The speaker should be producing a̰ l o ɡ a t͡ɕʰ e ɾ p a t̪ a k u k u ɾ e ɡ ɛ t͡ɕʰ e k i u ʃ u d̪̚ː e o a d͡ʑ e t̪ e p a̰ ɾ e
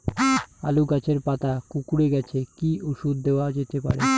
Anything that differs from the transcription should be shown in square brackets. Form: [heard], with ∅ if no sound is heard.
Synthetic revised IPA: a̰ l [u] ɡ a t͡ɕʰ e ɾ p a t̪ a k u k u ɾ e ɡ ɛ t͡ɕʰ e k i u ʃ u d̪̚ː e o a d͡ʑ e t̪ e p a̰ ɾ e